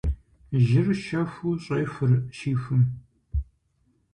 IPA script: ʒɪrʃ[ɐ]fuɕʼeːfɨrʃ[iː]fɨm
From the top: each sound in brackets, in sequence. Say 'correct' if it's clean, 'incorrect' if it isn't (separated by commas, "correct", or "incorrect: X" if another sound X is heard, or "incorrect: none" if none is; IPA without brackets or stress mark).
correct, correct